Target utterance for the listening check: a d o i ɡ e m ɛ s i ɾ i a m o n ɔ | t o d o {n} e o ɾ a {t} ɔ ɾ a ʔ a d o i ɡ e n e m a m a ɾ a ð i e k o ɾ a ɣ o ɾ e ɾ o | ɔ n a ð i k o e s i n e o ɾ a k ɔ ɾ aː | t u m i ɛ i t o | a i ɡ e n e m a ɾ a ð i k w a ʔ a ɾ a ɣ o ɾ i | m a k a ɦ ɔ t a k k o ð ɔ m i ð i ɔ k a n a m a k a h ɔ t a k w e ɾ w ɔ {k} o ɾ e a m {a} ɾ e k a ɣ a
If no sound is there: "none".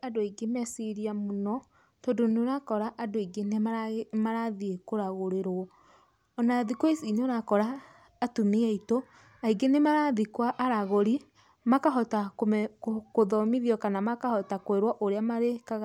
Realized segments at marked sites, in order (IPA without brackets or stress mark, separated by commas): n, k, ʔ, a